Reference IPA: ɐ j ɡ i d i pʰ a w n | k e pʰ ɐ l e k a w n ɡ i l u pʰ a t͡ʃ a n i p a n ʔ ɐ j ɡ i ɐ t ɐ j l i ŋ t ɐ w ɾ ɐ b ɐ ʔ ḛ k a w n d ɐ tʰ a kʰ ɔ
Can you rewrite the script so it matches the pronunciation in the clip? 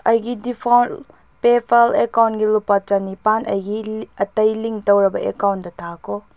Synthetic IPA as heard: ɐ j ɡ i d i pʰ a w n | p e pʰ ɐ l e k a w n ɡ i l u p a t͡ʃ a n i p a n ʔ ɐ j ɡ i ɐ t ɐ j l i ŋ t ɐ w ɾ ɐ b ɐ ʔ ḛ k a w n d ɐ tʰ a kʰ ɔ